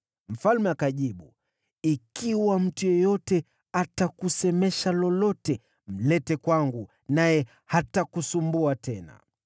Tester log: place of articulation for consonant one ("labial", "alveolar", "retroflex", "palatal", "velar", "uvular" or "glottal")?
labial